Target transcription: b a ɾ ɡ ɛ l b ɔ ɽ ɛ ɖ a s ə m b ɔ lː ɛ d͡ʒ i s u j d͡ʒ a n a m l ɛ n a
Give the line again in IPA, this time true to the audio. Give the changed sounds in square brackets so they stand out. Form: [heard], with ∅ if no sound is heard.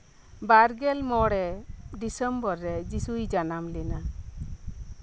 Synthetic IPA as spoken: b a ɾ ɡ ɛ l [m] ɔ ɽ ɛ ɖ [i] s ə m b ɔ [ɾː] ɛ d͡ʒ i s u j d͡ʒ a n a m l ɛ n a